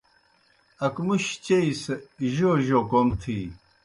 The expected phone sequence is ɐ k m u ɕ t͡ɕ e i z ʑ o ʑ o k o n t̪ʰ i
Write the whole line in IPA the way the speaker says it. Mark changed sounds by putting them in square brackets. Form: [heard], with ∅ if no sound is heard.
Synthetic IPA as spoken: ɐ k m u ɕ t͡ɕ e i [s] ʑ o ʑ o k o [m] t̪ʰ i